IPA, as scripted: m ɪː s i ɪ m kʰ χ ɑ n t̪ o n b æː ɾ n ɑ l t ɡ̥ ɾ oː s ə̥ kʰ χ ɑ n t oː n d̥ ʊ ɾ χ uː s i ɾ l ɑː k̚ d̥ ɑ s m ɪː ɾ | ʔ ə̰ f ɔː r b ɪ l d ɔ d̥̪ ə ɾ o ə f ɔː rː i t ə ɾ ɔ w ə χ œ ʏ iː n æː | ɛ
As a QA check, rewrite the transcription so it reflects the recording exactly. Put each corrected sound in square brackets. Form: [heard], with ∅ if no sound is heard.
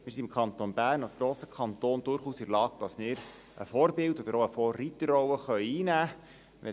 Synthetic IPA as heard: m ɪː s i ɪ m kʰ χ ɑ n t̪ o n b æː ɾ n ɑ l [s] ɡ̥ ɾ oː s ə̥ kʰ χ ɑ n t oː n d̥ ʊ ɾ χ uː s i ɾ l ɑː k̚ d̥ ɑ s m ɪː ɾ | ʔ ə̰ f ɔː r b ɪ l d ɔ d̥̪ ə ɾ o ə f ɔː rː i t ə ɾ ɔ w ə χ œ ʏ iː n æː | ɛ